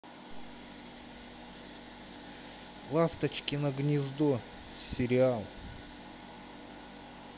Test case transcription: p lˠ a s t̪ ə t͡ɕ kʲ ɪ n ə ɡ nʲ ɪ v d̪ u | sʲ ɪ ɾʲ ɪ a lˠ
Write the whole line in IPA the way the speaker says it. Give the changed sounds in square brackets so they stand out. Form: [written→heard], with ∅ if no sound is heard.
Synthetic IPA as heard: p lˠ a s t̪ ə t͡ɕ kʲ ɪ n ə ɡ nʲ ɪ [v→z] d̪ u | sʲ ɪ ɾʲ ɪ a lˠ